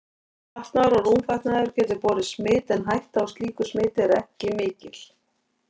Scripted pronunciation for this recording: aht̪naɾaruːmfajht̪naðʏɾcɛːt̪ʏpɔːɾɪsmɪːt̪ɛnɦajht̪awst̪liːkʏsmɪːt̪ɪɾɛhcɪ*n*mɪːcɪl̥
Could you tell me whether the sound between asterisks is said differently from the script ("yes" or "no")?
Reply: yes